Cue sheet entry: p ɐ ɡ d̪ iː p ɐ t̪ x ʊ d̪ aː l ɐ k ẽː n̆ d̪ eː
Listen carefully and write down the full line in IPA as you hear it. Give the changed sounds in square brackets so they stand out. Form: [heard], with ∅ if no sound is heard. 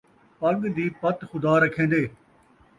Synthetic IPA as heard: p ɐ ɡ d̪ iː p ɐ t̪ x ʊ d̪ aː [ɾ] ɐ [kʰ] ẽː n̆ d̪ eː